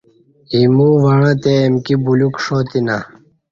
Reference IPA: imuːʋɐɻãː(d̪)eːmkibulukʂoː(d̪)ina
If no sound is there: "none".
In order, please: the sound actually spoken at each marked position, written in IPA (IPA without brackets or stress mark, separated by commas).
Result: t̪, t̪